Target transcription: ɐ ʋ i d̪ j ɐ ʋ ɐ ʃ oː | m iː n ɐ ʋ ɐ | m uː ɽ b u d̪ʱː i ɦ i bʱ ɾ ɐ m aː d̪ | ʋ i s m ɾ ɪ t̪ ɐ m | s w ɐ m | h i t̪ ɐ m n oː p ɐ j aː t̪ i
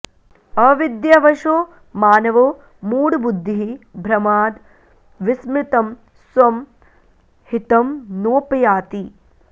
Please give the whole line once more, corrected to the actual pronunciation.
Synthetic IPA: ɐ ʋ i d̪ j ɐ ʋ ɐ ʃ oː | m aː n ɐ ʋ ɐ | m uː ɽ b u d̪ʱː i ɦ i bʱ ɾ ɐ m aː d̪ | ʋ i s m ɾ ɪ t̪ ɐ m | s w ɐ m | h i t̪ ɐ m n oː p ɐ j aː t̪ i

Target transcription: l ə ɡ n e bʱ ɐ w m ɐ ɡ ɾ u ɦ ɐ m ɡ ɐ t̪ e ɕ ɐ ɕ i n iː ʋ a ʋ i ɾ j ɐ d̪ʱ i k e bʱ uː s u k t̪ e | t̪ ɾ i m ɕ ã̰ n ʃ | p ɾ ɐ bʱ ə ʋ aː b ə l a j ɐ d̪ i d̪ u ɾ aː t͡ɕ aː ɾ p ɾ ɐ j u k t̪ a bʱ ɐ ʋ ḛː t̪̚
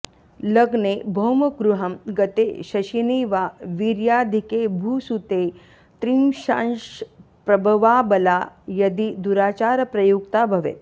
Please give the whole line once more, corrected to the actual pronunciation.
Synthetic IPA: l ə ɡ n e bʱ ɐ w m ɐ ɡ ɾ u ɦ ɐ m ɡ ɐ t̪ e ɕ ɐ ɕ i n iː ʋ a ʋ i ɾ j a d̪ʱ i k e bʱ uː s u t̪ e | t̪ ɾ i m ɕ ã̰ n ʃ | p ɾ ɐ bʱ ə ʋ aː b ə l a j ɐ d̪ i d̪ u ɾ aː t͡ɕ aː ɾ p ɾ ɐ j u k t̪ a bʱ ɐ ʋ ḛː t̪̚

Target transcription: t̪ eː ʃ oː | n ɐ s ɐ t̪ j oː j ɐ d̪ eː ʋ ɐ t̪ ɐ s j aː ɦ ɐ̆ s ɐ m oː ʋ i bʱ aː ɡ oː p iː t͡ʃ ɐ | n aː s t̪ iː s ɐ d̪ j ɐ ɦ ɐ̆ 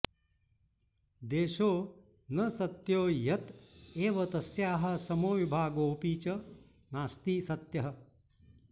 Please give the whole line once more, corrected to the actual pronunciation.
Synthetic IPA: d̪ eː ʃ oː | n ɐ s ɐ t̪ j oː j ɐ t̪ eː ʋ ɐ t̪ ɐ s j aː ɦ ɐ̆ s ɐ m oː ʋ i bʱ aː ɡ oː p iː t͡ʃ ɐ | n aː s t̪ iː s ɐ t̪ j ɐ ɦ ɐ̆

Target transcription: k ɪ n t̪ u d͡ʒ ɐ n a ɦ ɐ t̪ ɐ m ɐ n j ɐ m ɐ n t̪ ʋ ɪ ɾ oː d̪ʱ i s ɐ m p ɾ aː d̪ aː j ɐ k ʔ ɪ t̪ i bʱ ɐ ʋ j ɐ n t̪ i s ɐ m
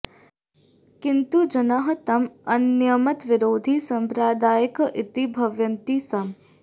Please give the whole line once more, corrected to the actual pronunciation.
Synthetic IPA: k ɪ n t̪ u d͡ʒ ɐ n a ɦ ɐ t̪ ɐ m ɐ n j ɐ m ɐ t̪ ʋ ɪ ɾ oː d̪ʱ i s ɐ m p ɾ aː d̪ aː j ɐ k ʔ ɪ t̪ i bʱ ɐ ʋ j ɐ n t̪ i s ɐ m

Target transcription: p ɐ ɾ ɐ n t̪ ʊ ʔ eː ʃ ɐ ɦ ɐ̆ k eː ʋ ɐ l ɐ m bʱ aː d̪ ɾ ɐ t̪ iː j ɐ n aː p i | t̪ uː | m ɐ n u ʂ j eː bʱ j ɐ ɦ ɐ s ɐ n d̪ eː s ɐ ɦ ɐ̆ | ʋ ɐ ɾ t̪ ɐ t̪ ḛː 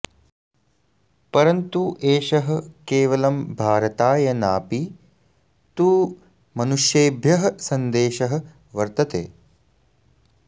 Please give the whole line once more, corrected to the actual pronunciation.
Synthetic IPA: p ɐ ɾ ɐ n t̪ u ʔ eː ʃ ɐ ɦ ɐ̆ k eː ʋ ɐ l ɐ m bʱ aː ɾ ɐ t̪ aː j ɐ n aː p i | t̪ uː | m ɐ n u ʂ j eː bʱ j ɐ ɦ ɐ s ɐ n d̪ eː ʃ ɐ ɦ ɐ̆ | ʋ ɐ ɾ t̪ ɐ t̪ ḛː

